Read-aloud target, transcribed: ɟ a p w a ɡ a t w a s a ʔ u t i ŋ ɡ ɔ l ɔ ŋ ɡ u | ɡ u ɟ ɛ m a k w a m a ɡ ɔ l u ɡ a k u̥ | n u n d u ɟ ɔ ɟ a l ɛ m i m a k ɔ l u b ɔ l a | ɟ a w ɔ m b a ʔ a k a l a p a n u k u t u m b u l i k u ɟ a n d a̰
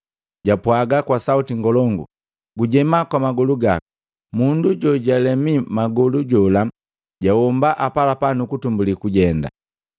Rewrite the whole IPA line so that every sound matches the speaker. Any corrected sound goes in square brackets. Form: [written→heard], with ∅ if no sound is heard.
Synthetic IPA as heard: ɟ a p w a ɡ a [t→k] w a s a [ʔ→∅] u t i ŋ ɡ ɔ l ɔ ŋ ɡ u | ɡ u ɟ ɛ m a k w a m a ɡ ɔ l u ɡ a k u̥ | [n→m] u n d u ɟ ɔ ɟ a l ɛ m i m a [k→ɡ] ɔ l u [b→ɟ] ɔ l a | ɟ a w ɔ m b a ʔ a [k→p] a l a p a n u k u t u m b u l i k u ɟ [a→ɛ] n d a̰

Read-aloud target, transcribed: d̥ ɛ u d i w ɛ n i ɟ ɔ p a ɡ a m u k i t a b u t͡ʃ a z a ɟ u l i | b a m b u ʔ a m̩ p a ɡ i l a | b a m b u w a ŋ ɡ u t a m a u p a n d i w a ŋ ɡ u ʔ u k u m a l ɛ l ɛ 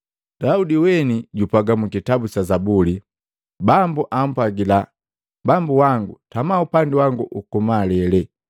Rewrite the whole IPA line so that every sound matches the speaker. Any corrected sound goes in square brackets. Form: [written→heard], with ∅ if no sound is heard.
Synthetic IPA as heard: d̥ [ɛ→a] u d i w ɛ n i ɟ [ɔ→u] p a ɡ a m u k i t a b u t͡ʃ a z a [ɟ→b] u l i | b a m b u ʔ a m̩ p a ɡ i l a | b a m b u w a ŋ ɡ u t a m a u p a n d i w a ŋ ɡ u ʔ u k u m a l ɛ l ɛ

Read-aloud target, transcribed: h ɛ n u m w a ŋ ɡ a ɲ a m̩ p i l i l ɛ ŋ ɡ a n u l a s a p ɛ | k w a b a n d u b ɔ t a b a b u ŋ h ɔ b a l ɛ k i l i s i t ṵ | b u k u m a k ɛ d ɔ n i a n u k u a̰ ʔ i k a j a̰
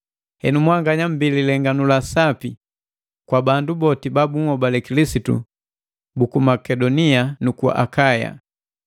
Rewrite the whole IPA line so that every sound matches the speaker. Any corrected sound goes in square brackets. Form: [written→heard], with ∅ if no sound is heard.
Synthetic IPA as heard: h ɛ n u m w a ŋ ɡ a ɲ a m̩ [p→b] i l i l ɛ ŋ ɡ a n u l a s a p [ɛ→i] | k w a b a n d u b ɔ t [a→i] b a b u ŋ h ɔ b a l ɛ k i l i s i t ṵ | b u k u m a k ɛ d ɔ n i a n u k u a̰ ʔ [i→a] k a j a̰

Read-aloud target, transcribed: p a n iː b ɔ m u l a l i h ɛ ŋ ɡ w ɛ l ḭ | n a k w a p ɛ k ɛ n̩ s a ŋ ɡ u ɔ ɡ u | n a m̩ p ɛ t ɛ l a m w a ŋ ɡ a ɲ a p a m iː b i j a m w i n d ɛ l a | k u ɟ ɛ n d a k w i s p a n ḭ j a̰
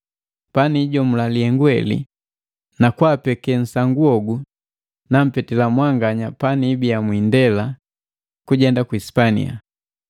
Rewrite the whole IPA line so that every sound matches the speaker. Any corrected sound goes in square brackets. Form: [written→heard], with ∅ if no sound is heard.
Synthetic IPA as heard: p a n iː [b→ɟ] ɔ m u l a l i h ɛ ŋ ɡ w ɛ l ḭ | n a k w a p ɛ k ɛ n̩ s a ŋ ɡ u ɔ ɡ u | n a m̩ p ɛ t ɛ l a m w a ŋ ɡ a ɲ a p a [m→n] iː b i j a m w i n d ɛ l a | k u ɟ ɛ n d a k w i s p a n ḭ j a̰

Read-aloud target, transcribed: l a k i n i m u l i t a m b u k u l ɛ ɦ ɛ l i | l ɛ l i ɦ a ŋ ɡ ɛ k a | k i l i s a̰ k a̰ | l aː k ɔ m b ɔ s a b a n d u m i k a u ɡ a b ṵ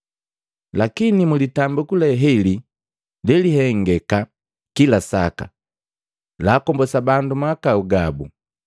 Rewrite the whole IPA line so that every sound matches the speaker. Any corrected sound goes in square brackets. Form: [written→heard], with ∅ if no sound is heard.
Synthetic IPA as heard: l a k i n i m u l i t a m b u k u l ɛ ɦ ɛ l i | l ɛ l i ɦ [a→ɛ] ŋ ɡ ɛ k a | k i l [i→a] s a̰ k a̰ | l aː k ɔ m b ɔ s a b a n d u m [i→a] k a u ɡ a b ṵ

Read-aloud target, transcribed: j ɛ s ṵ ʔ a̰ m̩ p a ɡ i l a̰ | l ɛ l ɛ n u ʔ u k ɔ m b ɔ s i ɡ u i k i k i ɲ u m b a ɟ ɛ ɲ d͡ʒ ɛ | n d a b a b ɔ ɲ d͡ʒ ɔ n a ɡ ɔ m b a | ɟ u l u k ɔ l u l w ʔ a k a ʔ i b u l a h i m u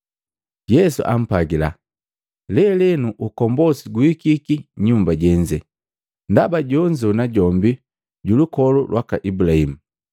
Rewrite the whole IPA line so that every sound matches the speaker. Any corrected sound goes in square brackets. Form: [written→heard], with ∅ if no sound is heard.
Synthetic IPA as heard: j ɛ s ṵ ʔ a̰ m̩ p a ɡ i l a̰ | l ɛ l ɛ n u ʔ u k ɔ m b ɔ s i ɡ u i k i k i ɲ u m b a ɟ ɛ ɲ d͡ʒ ɛ | n d a b a [b→ɟ] ɔ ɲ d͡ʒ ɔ n a [ɡ→ɟ] ɔ m b [a→i] | ɟ u l u k ɔ l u l w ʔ a k a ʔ i b u l a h i m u

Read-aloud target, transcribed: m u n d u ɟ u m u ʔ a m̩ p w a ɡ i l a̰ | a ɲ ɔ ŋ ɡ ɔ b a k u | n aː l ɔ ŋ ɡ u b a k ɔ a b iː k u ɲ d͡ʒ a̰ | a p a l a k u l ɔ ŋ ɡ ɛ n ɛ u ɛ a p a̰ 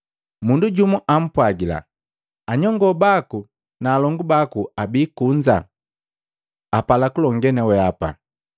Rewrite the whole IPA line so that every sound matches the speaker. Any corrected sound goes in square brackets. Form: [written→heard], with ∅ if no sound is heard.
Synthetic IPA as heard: m u n d u ɟ u m u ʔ a m̩ p w a ɡ i l a̰ | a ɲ ɔ ŋ ɡ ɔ b a k u | n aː l ɔ ŋ ɡ u b a k [ɔ→u] a b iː k u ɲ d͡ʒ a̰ | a p a l a k u l ɔ ŋ ɡ ɛ n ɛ [u→w] ɛ a p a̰

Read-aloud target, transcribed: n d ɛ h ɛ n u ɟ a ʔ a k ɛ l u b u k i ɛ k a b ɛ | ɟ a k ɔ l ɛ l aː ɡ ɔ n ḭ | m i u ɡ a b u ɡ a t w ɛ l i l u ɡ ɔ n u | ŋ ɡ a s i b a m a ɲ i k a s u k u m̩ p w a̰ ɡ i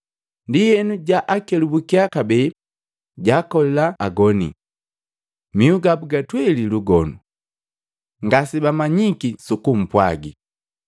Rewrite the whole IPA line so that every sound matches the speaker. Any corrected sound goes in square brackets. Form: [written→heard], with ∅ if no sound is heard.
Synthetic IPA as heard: n d [ɛ→i] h ɛ n u ɟ a ʔ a k ɛ l u b u k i [ɛ→a] k a b ɛ | ɟ a k ɔ l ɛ l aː ɡ ɔ n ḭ | m i u ɡ a b u ɡ a t w ɛ l i l u ɡ ɔ n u | ŋ ɡ a s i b a m a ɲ i k [a→i] s u k u m̩ p w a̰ ɡ i

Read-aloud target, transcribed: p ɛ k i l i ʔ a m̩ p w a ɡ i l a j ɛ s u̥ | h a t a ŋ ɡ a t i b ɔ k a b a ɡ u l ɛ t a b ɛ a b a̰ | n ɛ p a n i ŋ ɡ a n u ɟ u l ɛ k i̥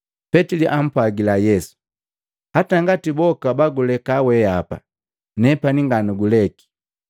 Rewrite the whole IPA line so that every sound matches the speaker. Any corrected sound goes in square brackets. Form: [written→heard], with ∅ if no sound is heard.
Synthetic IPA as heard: p ɛ [k→t] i l i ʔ a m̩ p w a ɡ i l a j ɛ s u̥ | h a t a ŋ ɡ a t i b ɔ k a b a ɡ u l ɛ [t→k] a [b→w] ɛ a [b→p] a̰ | n ɛ p a n i ŋ ɡ a n u [ɟ→ɡ] u l ɛ k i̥

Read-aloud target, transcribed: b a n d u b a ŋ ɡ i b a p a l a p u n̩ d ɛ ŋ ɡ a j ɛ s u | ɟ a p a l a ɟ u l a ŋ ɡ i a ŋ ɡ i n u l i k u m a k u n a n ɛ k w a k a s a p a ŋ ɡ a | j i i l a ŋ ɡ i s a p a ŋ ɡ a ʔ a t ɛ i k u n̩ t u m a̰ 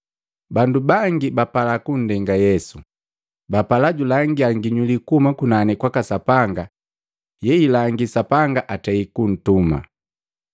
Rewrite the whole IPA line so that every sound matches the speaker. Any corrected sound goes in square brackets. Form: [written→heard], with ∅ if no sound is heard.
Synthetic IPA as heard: b a n d u b a ŋ ɡ i b a p a l a [p→k] u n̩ d ɛ ŋ ɡ a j ɛ s u | [ɟ→b] a p a l a ɟ u l a ŋ ɡ i a ŋ ɡ i [n→ɲ] u l i k u m a k u n a n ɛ k w a k a s a p a ŋ ɡ a | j [i→ɛ] i l a ŋ ɡ i s a p a ŋ ɡ a ʔ a t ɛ i k u n̩ t u m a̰

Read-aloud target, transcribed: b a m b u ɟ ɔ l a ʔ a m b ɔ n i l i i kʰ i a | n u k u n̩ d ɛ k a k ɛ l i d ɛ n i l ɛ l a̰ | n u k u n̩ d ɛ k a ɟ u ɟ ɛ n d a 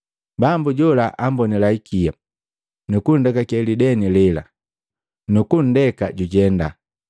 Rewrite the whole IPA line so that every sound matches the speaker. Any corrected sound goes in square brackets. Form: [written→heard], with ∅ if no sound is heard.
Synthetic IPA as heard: b a m b u ɟ ɔ l a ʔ a m b ɔ n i l [i→a] i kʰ i a | n u k u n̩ d ɛ k a k ɛ l i d ɛ n i l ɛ l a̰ | n u k u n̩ d ɛ k a ɟ u ɟ ɛ n d a

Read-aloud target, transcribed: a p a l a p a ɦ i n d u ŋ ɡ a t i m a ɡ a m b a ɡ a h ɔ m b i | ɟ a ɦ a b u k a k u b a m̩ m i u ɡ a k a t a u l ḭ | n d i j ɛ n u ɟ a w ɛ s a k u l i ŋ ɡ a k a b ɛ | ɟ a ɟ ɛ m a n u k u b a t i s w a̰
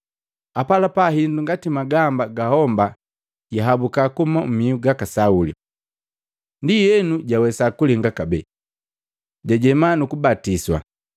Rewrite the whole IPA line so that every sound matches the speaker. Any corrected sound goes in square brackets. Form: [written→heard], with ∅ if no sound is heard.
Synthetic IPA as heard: a p a l a p a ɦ i n d u ŋ ɡ a t i m a ɡ a m b a ɡ a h ɔ m b [i→a] | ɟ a ɦ a b u k a k u [b→m] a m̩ m i u ɡ a k a [t→s] a u l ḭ | n d i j ɛ n u ɟ a w ɛ s a k u l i ŋ ɡ a k a b ɛ | ɟ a ɟ ɛ m a n u k u b a t i s w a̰

